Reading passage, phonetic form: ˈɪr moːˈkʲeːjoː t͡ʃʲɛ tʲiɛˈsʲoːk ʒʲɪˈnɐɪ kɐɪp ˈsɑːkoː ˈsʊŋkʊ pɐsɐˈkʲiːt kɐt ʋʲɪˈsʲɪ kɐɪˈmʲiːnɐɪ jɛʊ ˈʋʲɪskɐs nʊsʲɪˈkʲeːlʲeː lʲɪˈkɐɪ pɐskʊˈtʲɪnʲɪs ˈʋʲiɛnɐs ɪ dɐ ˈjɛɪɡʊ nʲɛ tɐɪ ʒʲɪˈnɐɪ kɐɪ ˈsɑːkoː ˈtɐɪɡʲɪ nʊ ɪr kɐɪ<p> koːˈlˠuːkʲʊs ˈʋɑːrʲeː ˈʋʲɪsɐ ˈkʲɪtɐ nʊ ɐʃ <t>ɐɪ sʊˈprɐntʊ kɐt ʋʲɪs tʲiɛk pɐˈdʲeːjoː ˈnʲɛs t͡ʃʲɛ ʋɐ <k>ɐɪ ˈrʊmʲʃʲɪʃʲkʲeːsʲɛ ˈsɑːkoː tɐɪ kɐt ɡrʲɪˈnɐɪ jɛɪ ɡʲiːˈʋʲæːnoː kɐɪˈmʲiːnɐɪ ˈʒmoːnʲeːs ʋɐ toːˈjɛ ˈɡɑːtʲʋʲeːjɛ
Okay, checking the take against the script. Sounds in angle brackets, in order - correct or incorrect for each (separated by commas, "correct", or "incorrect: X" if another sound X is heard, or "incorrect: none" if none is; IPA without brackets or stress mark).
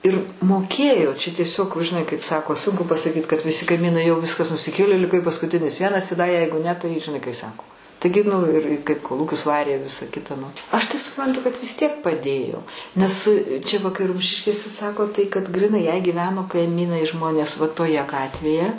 correct, correct, correct